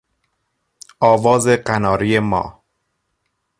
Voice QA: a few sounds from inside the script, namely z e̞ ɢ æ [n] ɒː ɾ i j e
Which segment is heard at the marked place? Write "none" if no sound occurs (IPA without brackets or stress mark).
n